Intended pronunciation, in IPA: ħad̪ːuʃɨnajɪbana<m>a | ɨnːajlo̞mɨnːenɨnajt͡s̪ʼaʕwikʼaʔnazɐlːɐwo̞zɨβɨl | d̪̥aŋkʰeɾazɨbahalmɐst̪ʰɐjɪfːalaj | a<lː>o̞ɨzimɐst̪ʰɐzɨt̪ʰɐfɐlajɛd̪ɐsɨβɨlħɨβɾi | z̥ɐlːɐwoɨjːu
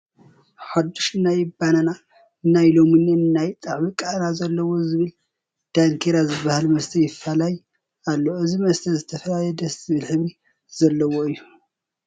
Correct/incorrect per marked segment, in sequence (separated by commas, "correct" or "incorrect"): incorrect, correct